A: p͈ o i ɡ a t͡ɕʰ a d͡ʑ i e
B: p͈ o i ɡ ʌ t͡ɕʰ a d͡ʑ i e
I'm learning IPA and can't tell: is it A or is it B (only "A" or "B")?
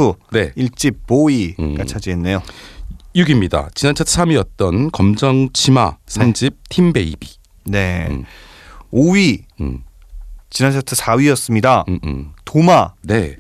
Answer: A